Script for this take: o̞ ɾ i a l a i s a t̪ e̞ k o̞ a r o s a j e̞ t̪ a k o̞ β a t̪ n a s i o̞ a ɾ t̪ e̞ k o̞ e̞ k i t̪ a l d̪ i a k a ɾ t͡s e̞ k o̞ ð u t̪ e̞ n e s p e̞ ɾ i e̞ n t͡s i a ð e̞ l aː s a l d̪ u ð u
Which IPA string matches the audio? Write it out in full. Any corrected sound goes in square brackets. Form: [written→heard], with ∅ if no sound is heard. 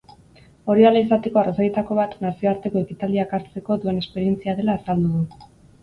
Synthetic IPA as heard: o̞ ɾ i a l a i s a t̪ e̞ k o̞ a r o s a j e̞ t̪ a k o̞ β a t̪ n a s i o̞ a ɾ t̪ e̞ k o̞ e̞ k i t̪ a l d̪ i a k a ɾ t͡s e̞ k o̞ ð u [t̪→∅] e̞ n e s p e̞ ɾ i e̞ n t͡s i a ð e̞ l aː s a l d̪ u ð u